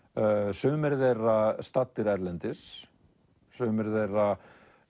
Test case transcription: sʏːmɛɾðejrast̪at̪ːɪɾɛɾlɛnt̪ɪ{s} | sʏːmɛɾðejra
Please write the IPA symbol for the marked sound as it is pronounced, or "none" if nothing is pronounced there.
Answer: s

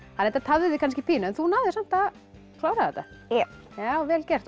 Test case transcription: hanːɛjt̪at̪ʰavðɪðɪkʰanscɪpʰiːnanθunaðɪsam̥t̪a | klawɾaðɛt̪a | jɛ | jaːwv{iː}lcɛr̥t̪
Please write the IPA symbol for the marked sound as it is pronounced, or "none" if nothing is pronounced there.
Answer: ɛː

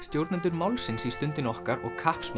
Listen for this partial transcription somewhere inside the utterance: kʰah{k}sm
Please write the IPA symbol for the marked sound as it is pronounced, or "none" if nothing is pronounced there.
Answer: p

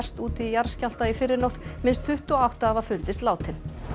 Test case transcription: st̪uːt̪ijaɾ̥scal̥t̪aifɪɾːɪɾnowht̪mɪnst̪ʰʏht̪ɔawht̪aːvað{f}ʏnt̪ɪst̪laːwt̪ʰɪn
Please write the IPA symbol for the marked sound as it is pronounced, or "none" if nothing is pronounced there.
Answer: f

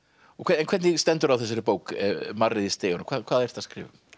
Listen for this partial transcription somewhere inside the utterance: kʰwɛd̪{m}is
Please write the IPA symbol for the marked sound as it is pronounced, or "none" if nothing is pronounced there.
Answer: n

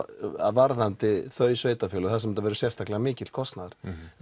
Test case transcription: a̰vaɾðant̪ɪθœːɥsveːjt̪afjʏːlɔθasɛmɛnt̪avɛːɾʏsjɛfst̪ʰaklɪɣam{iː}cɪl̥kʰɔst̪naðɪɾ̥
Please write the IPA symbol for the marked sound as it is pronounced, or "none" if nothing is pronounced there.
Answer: ɪː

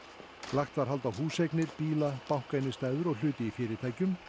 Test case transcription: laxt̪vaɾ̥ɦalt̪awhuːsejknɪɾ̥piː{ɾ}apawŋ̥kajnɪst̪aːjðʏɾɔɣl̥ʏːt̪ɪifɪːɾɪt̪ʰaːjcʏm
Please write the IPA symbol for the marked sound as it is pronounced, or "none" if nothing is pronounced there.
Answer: l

